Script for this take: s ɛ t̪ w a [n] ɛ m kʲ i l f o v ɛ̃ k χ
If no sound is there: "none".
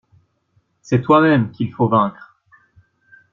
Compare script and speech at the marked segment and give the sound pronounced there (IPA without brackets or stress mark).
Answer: m